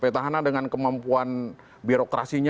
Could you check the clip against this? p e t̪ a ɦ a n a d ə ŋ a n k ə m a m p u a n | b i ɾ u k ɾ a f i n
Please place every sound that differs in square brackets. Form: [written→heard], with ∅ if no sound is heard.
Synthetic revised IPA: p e t̪ a ɦ a n a d ə ŋ a n k ə m a m p u a n | b i ɾ [u→o] k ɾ a [f→s] i [n→ɲ]